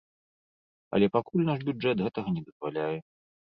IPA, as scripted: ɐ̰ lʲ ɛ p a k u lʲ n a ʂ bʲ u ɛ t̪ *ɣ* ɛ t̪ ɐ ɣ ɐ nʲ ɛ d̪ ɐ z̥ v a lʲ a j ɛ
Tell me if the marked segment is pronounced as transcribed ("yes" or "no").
yes